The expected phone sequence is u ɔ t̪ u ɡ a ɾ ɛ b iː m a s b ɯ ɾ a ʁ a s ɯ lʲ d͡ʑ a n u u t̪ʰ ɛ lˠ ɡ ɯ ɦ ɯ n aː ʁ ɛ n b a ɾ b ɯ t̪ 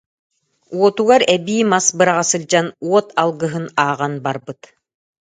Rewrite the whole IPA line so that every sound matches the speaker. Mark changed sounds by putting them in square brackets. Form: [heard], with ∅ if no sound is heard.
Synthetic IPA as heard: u ɔ t̪ u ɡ a ɾ ɛ b iː m a s b ɯ ɾ a ʁ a s ɯ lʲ d͡ʑ a n u [ɔ] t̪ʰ [a] lˠ ɡ ɯ ɦ ɯ n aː ʁ [a] n b a ɾ b ɯ t̪